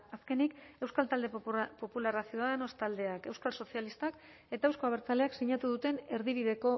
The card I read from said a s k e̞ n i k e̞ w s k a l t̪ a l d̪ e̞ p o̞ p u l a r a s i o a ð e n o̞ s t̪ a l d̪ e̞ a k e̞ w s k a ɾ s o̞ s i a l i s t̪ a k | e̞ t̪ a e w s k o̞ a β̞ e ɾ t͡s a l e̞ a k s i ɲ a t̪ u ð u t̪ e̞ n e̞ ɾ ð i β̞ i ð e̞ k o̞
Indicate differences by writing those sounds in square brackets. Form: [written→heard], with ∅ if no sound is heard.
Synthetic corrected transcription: a s k e̞ n i k e̞ w s k a l t̪ a l d̪ e̞ p o̞ p u l a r a s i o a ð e n o̞ s t̪ a l d̪ e̞ a k e̞ w s k a [ɾ→l] s o̞ s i a l i s t̪ a k | e̞ t̪ a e w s k o̞ a β̞ e ɾ t͡s a l e̞ a k s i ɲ a t̪ u ð u t̪ e̞ n e̞ ɾ ð i β̞ i ð e̞ k o̞